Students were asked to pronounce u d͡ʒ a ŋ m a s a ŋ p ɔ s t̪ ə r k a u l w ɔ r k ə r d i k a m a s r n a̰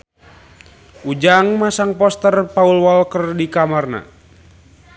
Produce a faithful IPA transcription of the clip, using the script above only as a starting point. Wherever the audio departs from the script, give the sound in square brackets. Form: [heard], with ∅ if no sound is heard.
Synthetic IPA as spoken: u d͡ʒ a ŋ m a s a ŋ p ɔ s t̪ ə r [p] a u l w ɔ [l] k ə r d i k a m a [∅] r n a̰